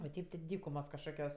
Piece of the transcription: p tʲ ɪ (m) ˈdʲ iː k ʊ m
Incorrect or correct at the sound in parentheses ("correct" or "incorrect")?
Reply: incorrect